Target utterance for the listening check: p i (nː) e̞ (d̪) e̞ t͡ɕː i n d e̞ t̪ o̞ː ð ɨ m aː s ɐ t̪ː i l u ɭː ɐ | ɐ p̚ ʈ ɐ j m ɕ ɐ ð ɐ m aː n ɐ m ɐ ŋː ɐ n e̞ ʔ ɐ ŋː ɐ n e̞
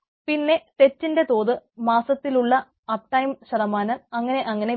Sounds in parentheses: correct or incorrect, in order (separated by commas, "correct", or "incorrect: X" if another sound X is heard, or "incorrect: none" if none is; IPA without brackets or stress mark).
correct, incorrect: t̪